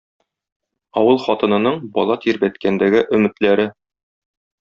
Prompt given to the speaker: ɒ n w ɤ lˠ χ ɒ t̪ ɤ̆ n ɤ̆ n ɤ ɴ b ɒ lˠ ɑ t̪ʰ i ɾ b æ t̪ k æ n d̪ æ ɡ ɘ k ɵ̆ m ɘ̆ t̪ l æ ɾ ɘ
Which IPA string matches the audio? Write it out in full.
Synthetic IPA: ɒ w ɤ lˠ χ ɒ t̪ ɤ̆ n ɤ̆ n ɤ ɴ b ɒ lˠ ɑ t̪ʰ i ɾ b æ t̪ k æ n d̪ æ ɡ ɘ ʔ ɵ̆ m ɘ̆ t̪ l æ ɾ ɘ